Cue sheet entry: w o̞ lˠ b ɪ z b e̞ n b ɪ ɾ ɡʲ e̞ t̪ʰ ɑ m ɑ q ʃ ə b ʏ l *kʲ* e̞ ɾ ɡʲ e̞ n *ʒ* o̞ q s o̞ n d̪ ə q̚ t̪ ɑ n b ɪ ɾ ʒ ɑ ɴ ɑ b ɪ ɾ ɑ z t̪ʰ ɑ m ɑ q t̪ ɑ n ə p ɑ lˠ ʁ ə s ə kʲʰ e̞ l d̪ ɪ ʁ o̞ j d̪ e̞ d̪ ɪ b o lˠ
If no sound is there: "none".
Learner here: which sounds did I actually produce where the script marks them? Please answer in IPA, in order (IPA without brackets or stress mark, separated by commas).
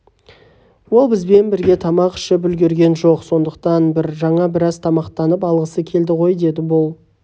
ɡʲ, ʒ